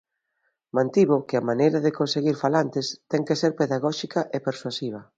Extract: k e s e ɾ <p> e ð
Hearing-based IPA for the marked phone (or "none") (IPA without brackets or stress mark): p